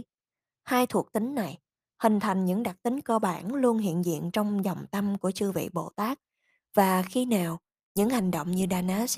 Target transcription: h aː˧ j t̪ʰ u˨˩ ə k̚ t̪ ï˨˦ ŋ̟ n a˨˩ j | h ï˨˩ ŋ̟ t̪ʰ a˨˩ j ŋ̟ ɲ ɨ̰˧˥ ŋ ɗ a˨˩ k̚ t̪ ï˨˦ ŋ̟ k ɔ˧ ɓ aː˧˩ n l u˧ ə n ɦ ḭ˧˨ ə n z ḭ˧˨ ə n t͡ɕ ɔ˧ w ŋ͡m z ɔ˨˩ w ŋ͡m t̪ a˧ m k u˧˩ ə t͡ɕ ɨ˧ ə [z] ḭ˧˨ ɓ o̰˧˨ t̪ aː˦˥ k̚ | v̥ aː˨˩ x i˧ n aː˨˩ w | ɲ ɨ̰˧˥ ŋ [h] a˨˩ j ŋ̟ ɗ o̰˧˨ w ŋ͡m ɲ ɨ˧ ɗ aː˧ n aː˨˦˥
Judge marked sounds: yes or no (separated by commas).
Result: no, yes